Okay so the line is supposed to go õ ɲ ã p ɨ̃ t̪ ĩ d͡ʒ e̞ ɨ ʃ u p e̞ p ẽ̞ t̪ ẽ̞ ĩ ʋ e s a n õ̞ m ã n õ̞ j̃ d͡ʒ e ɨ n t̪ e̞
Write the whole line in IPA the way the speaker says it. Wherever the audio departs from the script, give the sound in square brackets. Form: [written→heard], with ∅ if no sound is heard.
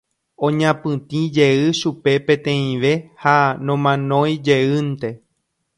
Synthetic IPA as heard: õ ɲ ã p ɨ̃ t̪ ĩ d͡ʒ e̞ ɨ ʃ u p e̞ p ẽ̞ t̪ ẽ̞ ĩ ʋ e [s→h] a n õ̞ m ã n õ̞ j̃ d͡ʒ e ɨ n t̪ e̞